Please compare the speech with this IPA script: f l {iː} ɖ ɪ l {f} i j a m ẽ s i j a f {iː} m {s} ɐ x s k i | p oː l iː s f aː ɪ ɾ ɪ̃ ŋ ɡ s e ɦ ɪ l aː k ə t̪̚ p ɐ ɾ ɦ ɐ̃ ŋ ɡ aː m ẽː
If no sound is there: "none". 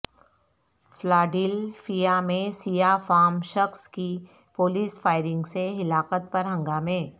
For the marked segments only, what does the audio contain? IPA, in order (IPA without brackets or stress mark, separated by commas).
aː, f, aː, ʃ